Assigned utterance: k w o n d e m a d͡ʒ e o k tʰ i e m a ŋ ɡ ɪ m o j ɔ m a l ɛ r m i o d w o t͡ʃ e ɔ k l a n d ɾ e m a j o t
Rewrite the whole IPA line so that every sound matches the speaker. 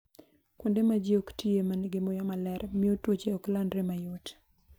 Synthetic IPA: k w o n d e m a d͡ʒ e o k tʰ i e m a n ɡ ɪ m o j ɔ m a l ɛ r m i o t w o t͡ʃ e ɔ k l a n d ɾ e m a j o t